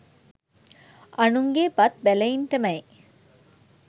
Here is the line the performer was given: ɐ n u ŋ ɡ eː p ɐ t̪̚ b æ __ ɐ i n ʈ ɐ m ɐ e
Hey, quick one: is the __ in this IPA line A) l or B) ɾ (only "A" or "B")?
A